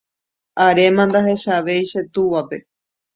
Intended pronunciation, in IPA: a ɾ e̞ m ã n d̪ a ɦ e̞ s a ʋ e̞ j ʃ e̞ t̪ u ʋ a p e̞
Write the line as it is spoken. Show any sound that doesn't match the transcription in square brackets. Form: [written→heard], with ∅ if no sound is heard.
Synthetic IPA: a ɾ e̞ m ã n d̪ a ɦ e̞ [s→ʃ] a ʋ e̞ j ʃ e̞ t̪ u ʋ a p e̞